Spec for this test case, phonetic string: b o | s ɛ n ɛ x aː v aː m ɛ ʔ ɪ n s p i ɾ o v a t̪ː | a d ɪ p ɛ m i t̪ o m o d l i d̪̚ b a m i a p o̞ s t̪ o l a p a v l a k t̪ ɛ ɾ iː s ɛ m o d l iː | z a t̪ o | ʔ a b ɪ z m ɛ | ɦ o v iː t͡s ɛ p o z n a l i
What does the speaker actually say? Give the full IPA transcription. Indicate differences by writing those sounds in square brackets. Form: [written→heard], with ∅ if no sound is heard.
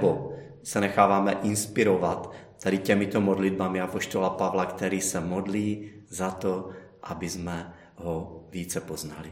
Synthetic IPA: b o | s ɛ n ɛ x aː v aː m ɛ ʔ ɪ n s p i ɾ o v a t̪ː | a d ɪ [p→c] ɛ m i t̪ o m o d l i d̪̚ b a m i a p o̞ [s→ʃ] t̪ o l a p a v l a k t̪ ɛ ɾ iː s ɛ m o d l iː | z a t̪ o | ʔ a b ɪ z m ɛ | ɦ o v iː t͡s ɛ p o z n a l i